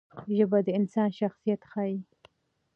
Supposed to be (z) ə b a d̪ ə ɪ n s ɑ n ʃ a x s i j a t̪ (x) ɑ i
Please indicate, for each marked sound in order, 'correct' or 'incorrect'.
incorrect, correct

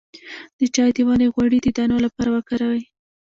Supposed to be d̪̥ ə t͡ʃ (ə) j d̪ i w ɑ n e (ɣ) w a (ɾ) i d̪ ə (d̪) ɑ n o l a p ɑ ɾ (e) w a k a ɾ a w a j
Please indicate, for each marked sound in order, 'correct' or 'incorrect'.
incorrect, correct, incorrect, correct, incorrect

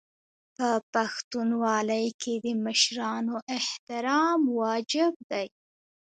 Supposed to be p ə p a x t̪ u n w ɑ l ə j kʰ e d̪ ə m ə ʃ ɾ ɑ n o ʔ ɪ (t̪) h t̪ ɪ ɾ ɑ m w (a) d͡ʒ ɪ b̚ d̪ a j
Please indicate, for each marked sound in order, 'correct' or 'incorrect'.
incorrect, incorrect

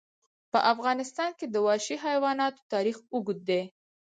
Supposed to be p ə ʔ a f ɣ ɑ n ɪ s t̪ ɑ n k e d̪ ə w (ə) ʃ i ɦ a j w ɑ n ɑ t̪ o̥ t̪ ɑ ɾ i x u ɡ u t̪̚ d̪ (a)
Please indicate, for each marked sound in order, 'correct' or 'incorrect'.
incorrect, incorrect

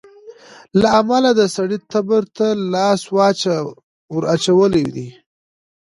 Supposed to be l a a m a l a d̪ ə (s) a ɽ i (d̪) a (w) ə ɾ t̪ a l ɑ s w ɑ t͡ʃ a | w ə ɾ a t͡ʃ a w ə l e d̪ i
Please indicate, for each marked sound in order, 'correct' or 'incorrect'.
correct, incorrect, incorrect

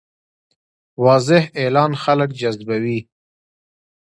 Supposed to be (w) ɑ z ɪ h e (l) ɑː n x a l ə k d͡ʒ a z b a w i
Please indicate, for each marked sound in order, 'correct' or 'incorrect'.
correct, correct

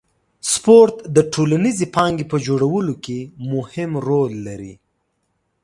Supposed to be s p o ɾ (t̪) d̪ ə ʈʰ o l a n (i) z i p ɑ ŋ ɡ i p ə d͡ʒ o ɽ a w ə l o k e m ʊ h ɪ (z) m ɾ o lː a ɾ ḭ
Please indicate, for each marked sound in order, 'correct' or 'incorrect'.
correct, correct, incorrect

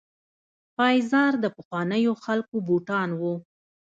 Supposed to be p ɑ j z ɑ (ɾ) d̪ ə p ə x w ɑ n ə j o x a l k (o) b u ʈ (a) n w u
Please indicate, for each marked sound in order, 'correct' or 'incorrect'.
correct, correct, incorrect

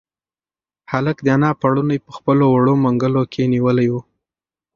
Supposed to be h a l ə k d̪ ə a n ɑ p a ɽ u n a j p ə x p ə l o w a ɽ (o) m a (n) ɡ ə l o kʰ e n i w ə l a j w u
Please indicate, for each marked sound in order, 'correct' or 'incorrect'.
correct, incorrect

